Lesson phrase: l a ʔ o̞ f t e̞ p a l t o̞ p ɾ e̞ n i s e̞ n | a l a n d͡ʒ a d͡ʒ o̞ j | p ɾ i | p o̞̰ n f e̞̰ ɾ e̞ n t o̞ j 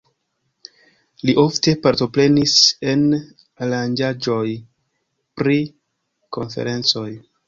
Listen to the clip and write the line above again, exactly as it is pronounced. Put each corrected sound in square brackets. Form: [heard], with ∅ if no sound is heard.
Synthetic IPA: l [i] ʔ o̞ f t e̞ p a [ɾ] t o̞ p ɾ e̞ n i s e̞ n | a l a n d͡ʒ a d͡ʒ o̞ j | p ɾ i | [k] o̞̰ n f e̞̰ ɾ e̞ n [t͡s] o̞ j